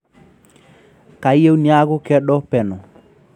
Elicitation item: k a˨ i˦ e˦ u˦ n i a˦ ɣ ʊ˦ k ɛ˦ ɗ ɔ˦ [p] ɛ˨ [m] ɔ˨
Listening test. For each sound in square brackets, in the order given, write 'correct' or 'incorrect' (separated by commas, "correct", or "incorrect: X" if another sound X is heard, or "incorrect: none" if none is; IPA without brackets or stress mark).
correct, incorrect: n